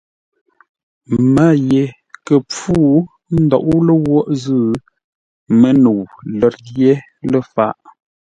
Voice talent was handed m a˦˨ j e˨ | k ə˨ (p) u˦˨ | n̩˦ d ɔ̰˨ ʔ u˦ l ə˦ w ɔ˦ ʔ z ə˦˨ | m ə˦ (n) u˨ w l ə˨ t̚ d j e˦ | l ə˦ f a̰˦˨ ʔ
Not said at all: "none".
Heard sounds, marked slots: p͡f, n

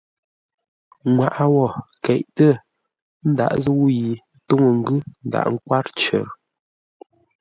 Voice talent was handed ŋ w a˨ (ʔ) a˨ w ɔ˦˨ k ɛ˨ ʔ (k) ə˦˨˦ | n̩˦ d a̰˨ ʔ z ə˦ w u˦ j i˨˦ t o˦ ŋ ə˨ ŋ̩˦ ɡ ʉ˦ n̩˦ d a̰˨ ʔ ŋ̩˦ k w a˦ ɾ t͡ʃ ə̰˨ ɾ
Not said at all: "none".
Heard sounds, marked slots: ʔ, t

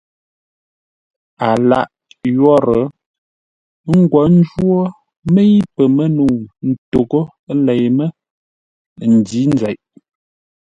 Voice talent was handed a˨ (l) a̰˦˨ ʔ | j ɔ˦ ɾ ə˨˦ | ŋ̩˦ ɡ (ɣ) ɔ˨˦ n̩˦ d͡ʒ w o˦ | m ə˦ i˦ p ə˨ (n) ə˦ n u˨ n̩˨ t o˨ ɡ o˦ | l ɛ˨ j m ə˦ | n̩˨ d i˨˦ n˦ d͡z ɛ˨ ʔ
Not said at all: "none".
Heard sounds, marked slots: l, w, m

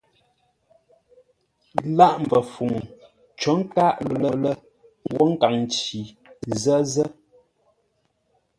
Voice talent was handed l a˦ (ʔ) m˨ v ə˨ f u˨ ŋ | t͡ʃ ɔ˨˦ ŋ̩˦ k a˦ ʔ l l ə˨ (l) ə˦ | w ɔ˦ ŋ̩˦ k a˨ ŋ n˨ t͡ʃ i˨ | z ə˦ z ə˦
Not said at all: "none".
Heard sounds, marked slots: ʔ, l

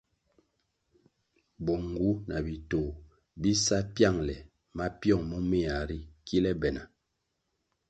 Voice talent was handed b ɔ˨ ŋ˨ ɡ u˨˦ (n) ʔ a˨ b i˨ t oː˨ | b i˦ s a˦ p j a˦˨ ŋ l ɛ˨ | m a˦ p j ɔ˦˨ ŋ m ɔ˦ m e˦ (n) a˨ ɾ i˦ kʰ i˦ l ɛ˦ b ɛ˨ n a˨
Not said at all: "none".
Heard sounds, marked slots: n, none

